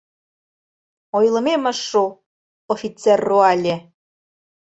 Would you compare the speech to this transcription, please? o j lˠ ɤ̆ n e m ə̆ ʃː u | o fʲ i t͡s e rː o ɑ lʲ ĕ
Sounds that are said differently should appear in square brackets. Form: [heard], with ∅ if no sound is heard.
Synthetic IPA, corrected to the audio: o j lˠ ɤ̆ [m] e m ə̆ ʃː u | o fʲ i t͡s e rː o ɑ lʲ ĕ